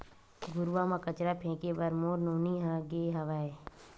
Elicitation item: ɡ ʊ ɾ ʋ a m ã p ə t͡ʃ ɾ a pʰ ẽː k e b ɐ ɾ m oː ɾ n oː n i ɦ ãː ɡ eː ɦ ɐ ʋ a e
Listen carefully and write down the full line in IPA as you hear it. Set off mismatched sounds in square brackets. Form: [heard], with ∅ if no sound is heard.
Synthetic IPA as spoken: ɡ ʊ ɾ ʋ a m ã [k] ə t͡ʃ ɾ a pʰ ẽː k e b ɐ ɾ m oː ɾ n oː n i ɦ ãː ɡ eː ɦ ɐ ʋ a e